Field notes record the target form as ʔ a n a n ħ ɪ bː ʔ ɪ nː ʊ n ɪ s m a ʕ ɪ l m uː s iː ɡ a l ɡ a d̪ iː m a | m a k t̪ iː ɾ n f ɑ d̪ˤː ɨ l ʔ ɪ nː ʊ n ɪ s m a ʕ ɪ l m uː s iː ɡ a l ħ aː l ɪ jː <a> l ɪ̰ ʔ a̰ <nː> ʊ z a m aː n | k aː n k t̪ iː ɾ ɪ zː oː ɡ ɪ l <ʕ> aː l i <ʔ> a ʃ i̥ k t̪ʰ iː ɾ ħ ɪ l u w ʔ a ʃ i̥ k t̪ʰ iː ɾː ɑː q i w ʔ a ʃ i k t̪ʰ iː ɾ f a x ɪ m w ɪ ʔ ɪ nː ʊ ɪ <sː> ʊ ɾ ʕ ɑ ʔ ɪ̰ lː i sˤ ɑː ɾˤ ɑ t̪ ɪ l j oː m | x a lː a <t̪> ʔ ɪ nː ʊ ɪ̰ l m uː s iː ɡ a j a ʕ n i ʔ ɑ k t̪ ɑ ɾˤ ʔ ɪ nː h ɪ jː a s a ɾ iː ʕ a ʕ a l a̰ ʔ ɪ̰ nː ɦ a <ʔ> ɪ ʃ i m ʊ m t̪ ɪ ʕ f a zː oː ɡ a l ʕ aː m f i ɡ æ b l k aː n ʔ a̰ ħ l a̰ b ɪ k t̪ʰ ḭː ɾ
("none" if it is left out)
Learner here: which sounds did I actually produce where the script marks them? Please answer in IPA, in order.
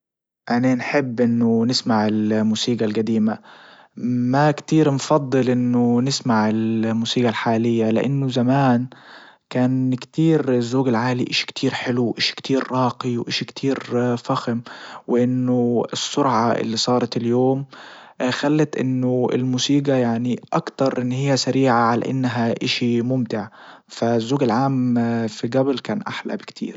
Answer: a, nː, ʕ, ʔ, sː, t̪, ʔ

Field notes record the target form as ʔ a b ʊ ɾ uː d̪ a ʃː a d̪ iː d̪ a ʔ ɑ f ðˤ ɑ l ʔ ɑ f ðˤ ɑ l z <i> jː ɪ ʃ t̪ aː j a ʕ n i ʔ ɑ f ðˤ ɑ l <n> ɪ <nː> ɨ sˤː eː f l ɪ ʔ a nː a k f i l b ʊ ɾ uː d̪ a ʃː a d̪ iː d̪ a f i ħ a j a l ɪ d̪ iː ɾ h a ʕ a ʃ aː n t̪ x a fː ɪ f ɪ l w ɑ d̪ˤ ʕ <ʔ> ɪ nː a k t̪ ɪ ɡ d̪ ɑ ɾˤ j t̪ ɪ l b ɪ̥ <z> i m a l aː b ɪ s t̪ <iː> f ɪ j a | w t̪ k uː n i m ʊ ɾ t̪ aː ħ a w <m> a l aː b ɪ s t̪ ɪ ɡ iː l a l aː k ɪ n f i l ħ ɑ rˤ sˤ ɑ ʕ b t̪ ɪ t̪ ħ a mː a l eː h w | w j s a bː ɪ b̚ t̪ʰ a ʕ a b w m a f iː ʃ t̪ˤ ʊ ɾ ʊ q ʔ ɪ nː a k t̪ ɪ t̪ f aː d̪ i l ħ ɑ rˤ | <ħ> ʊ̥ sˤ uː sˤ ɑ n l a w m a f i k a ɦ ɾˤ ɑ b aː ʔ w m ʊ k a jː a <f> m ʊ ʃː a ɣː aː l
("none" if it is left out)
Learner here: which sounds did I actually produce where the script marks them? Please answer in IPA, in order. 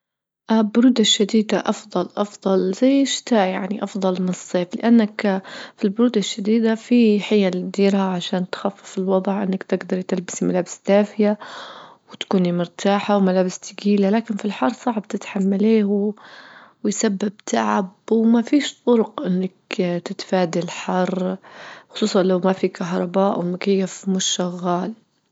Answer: a, m, n, ʔ, s, aː, m, x, f

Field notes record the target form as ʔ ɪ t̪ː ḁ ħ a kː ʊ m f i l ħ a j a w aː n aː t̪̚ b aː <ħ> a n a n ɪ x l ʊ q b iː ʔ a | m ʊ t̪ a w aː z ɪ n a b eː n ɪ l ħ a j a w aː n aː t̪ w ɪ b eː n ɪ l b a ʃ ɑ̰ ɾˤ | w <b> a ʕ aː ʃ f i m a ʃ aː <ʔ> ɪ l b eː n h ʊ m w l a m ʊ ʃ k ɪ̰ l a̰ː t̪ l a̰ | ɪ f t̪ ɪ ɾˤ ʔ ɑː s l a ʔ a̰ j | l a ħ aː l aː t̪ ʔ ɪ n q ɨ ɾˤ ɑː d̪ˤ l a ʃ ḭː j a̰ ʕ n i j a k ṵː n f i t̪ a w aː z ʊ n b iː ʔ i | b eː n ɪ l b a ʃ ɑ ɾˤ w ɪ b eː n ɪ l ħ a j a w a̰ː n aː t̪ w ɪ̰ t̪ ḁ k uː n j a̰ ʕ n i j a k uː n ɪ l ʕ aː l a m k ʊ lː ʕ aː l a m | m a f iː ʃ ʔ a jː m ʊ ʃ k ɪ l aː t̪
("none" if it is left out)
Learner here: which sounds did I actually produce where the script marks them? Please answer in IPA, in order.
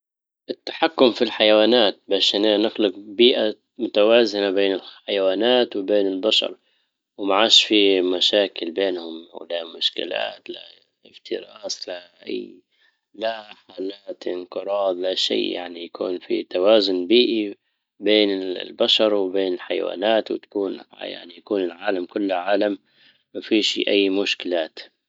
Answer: ʃ, m, k

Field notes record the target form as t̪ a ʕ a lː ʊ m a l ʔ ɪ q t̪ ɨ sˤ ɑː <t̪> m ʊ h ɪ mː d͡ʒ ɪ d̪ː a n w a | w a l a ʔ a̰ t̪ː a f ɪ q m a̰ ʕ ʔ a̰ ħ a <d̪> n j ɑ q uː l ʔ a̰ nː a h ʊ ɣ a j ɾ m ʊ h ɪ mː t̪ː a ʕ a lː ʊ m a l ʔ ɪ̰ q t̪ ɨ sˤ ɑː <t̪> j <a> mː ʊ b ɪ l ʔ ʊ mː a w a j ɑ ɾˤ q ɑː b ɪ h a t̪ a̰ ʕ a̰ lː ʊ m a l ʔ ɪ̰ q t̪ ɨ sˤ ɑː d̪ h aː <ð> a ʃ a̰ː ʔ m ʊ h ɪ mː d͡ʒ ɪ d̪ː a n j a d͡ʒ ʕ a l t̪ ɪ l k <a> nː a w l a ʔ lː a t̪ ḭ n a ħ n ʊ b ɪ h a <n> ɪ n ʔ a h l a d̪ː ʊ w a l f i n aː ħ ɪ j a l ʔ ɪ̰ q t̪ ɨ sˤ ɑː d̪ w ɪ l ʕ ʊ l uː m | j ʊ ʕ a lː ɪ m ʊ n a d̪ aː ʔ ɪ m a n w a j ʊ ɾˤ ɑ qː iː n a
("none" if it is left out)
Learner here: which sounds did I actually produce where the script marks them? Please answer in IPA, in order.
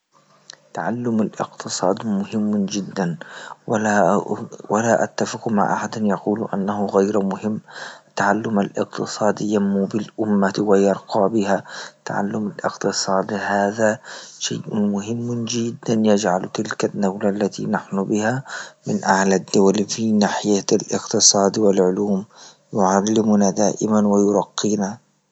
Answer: d̪, d̪, d̪, a, ð, a, m

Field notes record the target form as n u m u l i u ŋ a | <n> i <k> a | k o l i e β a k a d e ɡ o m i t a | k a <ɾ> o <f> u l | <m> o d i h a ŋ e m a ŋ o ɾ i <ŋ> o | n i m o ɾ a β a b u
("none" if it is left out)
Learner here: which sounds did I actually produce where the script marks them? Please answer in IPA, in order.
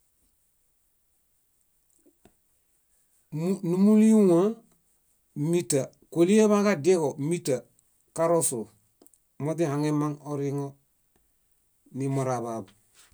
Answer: m, t, ɾ, s, m, ŋ

